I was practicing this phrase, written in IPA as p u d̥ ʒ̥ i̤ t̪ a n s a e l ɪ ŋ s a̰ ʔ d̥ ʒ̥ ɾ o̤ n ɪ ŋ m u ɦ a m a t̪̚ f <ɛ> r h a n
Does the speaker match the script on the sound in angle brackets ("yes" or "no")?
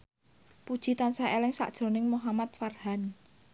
no